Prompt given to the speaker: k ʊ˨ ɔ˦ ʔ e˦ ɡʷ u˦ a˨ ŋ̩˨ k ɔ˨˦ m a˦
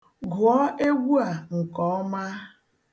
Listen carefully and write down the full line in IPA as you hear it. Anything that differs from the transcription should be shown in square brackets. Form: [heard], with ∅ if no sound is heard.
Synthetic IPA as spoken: [ɡ] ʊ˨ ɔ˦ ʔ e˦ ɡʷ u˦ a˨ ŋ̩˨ k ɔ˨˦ m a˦